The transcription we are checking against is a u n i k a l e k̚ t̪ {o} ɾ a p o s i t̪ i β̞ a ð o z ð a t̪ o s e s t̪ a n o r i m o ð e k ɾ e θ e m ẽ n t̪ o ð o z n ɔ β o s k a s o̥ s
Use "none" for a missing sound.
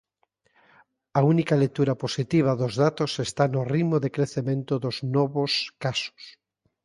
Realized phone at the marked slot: u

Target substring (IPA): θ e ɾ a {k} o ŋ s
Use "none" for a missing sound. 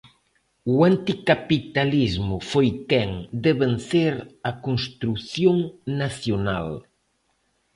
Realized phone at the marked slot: k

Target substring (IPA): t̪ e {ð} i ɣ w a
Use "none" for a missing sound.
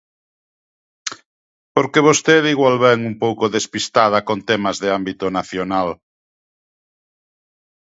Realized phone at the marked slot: ð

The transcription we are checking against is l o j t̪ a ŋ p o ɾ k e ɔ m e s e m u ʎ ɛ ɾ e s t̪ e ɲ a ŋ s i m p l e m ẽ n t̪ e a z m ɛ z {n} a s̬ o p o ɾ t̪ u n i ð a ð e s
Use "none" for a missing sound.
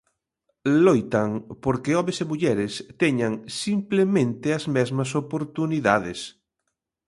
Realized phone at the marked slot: m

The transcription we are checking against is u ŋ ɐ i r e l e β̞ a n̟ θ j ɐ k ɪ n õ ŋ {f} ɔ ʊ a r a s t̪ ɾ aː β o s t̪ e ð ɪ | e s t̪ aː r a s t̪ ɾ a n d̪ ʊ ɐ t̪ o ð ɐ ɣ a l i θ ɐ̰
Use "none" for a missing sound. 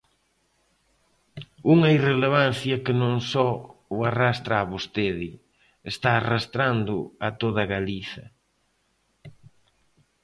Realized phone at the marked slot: s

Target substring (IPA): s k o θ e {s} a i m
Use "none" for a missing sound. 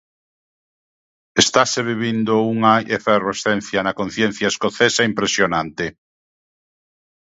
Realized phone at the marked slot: s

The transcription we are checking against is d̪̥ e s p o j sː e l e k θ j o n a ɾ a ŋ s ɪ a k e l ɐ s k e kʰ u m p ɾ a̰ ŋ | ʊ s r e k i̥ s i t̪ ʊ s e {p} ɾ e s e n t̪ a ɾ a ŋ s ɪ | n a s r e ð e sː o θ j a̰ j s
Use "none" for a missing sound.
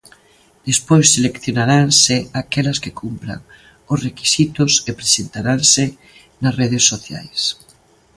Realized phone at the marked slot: p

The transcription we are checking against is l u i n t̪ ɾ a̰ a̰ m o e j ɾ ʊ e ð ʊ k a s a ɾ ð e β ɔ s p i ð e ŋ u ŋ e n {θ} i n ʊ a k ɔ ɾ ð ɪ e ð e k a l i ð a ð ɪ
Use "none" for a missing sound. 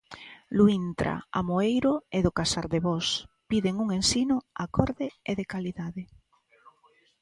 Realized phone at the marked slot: s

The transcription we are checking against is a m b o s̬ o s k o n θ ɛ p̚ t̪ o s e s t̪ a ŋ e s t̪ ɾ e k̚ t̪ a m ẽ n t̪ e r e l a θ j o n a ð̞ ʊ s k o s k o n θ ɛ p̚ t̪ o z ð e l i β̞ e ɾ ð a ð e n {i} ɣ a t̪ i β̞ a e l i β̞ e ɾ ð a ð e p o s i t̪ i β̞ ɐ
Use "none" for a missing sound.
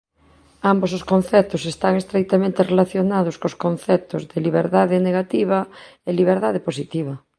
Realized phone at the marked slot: e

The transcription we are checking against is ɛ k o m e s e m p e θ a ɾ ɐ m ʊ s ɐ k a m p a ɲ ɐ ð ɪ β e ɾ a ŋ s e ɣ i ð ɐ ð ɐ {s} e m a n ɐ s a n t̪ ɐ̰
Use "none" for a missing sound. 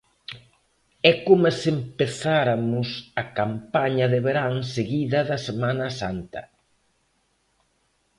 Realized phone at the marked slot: s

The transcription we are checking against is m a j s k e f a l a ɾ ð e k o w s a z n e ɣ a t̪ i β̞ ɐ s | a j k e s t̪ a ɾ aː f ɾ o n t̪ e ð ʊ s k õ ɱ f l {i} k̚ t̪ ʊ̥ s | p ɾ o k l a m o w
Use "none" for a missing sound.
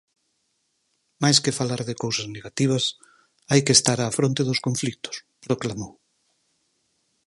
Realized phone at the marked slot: i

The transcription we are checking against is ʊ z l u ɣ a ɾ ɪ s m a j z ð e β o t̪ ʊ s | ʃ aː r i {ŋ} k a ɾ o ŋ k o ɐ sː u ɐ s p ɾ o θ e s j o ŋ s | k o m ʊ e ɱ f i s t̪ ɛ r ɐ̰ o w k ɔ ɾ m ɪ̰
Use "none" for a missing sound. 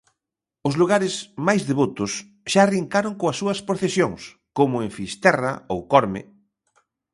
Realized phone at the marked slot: ŋ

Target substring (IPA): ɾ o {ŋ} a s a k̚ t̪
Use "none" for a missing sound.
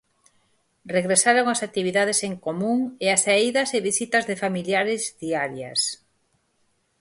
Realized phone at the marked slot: ŋ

